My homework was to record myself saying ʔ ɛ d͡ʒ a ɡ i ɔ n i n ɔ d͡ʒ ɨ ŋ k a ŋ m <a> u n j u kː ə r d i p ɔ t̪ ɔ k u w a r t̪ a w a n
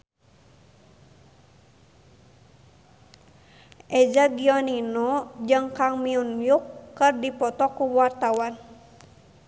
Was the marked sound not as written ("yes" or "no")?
yes